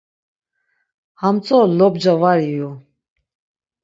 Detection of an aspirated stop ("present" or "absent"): absent